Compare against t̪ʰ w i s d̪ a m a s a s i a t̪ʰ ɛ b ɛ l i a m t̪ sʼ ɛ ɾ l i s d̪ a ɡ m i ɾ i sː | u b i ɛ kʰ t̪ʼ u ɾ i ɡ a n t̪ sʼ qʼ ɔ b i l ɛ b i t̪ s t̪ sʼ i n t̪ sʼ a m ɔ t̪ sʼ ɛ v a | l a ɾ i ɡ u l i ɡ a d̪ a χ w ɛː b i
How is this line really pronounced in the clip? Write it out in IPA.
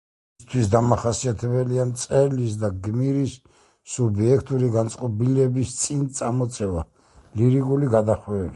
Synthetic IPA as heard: t̪ʰ w i s d̪ a m a χ a s i a t̪ʰ ɛ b ɛ l i a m t̪ sʼ ɛ ɾ l i s d̪ a ɡ m i ɾ i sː | u b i ɛ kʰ t̪ʼ u ɾ i ɡ a n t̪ sʼ qʼ ɔ b i l ɛ b i s t̪ sʼ i n t̪ sʼ a m ɔ t̪ sʼ ɛ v a | l i ɾ i ɡ u l i ɡ a d̪ a χ w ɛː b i